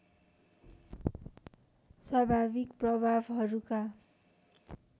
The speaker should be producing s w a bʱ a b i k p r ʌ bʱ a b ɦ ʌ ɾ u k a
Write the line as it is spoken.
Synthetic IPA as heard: s w a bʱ a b i k p r ʌ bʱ a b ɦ ʌ ɾ u k a